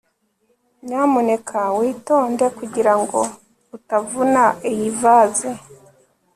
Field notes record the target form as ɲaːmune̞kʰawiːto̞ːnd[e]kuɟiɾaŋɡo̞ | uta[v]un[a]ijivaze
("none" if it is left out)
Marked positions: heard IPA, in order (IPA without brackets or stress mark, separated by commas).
e, v, a